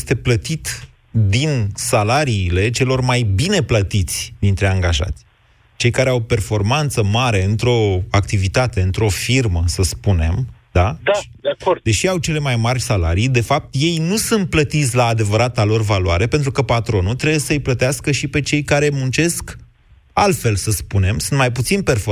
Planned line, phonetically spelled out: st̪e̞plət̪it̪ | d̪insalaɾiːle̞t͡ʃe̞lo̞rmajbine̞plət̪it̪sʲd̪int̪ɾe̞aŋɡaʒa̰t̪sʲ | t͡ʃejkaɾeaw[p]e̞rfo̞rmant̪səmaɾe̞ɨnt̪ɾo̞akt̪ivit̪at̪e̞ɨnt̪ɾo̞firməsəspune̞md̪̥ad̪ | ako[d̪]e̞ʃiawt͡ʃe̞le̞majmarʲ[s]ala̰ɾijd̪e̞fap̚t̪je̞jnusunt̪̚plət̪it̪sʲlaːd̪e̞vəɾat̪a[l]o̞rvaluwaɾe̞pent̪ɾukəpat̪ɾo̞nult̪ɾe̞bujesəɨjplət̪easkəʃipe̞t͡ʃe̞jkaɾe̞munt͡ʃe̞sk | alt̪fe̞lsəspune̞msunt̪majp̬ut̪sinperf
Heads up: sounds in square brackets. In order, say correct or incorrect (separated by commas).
correct, correct, correct, correct